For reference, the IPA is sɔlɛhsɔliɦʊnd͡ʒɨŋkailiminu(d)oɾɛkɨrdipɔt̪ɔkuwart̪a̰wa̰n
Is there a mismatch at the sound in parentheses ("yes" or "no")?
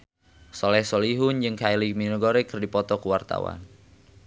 yes